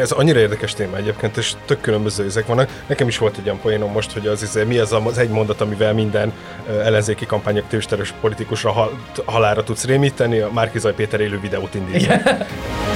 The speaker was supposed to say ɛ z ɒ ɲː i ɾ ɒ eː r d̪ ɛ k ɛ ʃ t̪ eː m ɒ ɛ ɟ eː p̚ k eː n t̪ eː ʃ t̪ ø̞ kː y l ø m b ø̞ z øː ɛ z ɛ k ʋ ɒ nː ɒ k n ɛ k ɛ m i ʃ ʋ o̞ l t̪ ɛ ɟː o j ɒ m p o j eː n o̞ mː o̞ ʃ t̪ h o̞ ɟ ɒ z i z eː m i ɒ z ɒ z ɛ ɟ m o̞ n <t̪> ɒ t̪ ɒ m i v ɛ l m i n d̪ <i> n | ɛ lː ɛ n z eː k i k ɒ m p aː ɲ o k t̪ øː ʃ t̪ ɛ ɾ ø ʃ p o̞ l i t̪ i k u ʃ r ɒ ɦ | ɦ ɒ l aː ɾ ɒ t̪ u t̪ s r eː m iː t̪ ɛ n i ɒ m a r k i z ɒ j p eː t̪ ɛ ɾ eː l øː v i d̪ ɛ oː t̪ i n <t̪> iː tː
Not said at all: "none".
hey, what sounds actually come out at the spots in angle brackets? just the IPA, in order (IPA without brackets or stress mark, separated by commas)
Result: d̪, ɛ, d̪